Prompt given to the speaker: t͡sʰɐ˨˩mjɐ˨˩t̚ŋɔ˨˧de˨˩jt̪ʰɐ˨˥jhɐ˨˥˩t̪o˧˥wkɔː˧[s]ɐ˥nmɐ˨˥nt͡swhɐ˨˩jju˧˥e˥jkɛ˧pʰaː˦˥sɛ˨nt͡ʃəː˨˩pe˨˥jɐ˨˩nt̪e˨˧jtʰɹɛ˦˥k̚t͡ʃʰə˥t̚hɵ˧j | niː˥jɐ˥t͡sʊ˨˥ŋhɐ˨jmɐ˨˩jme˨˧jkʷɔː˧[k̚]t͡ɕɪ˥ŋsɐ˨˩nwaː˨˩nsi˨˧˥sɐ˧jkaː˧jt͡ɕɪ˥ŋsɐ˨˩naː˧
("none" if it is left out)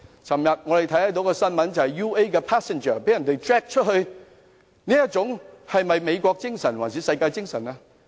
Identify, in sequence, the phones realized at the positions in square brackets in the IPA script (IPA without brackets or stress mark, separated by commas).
s, k̚